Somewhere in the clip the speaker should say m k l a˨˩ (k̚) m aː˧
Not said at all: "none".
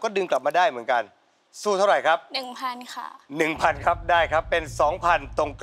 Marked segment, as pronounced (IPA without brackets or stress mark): p̚